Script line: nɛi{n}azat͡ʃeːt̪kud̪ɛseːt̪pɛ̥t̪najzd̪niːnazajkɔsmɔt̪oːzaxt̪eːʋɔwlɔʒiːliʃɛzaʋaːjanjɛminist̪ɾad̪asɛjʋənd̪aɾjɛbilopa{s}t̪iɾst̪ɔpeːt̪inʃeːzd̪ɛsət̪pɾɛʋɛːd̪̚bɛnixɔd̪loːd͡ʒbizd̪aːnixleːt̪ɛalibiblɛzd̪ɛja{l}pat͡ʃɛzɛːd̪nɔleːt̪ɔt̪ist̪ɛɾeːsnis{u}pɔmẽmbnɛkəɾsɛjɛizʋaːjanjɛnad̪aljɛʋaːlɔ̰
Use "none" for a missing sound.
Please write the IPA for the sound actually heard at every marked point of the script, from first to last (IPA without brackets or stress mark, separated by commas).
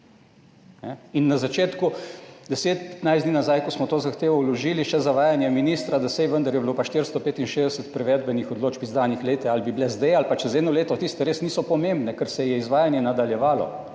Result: nː, ʃ, l, ɔ